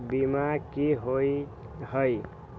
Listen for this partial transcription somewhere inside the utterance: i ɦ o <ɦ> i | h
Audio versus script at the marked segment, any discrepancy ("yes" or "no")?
yes